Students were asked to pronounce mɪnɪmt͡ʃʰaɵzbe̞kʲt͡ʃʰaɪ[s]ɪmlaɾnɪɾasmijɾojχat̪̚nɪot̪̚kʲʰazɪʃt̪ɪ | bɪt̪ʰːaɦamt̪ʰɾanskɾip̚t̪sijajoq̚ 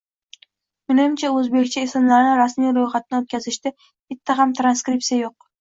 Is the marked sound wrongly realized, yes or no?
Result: no